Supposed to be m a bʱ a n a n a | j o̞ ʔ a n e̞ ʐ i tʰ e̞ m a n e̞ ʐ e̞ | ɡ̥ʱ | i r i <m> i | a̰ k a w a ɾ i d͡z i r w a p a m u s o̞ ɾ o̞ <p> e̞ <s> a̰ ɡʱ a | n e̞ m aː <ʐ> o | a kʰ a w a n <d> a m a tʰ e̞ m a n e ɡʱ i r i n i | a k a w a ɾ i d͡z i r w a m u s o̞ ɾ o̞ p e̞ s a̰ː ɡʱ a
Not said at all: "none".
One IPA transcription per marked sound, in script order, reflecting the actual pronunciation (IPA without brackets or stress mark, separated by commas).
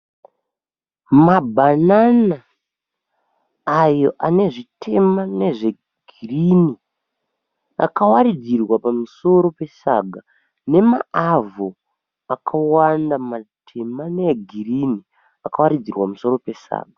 n, p, s, v, d